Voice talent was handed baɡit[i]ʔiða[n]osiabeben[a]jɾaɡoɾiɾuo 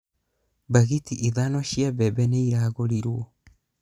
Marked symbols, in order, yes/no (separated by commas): yes, yes, no